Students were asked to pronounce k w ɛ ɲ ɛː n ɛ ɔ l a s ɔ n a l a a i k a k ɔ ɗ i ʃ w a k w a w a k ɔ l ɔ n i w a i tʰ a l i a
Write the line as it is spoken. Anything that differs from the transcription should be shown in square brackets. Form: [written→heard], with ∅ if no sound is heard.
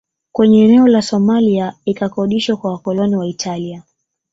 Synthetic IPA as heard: k w ɛ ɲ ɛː n ɛ ɔ l a s ɔ [n→m] a l [a→i] a i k a k ɔ ɗ i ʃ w a k w a w a k ɔ l ɔ n i w a i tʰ a l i a